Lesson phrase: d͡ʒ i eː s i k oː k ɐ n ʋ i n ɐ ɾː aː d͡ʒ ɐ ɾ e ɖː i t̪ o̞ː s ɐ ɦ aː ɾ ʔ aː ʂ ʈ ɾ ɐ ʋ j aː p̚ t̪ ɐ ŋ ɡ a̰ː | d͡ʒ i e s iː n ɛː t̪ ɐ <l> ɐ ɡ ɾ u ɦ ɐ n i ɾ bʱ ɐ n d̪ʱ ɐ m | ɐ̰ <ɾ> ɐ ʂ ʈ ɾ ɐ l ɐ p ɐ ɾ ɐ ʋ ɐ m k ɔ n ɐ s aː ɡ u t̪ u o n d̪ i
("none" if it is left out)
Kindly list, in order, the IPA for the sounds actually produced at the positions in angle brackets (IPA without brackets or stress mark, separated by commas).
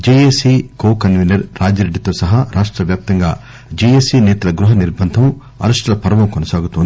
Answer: l, ɾ